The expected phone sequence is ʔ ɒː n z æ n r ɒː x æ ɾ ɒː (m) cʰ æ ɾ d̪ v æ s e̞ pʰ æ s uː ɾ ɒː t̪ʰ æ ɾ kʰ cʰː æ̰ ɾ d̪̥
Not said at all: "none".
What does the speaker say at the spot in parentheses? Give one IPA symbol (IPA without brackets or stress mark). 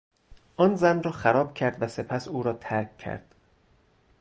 b